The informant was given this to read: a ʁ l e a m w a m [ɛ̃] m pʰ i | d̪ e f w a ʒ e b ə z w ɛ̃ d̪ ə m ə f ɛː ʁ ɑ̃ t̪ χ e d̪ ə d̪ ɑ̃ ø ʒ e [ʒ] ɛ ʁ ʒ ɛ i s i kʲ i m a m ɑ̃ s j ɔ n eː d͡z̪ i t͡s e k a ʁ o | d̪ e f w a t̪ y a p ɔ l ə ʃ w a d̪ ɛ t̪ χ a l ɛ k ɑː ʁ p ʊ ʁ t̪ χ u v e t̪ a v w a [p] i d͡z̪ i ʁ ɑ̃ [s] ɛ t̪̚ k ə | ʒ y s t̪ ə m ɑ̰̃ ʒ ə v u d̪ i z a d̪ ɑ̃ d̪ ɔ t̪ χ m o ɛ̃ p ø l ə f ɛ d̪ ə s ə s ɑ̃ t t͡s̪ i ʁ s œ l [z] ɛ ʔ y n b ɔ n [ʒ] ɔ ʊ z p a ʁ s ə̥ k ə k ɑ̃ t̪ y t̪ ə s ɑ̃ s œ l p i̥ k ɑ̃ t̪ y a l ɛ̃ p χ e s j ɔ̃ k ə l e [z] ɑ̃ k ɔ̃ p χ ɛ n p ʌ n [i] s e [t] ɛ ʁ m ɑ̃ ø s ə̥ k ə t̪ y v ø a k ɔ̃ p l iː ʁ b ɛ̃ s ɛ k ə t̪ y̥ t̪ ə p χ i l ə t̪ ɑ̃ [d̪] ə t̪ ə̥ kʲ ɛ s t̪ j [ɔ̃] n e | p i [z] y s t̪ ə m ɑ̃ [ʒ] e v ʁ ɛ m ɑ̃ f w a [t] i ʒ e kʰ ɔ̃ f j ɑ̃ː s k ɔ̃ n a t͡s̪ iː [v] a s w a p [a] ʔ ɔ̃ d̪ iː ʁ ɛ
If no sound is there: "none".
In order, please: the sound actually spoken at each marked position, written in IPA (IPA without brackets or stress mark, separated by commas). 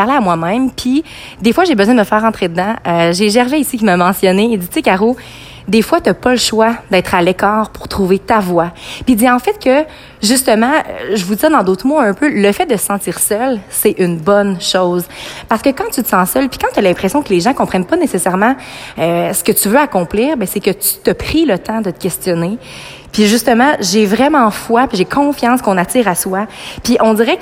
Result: ɛ̃, ʒ, p, f, s, ʃ, ʒ, e, s, d̪, ɔ, ʒ, ʒ, p, ʁ, i